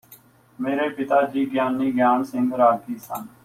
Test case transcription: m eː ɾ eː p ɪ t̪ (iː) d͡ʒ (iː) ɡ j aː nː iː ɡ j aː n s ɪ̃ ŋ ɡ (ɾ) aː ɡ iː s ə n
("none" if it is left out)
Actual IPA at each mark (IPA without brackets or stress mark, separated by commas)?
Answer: aː, iː, ɾ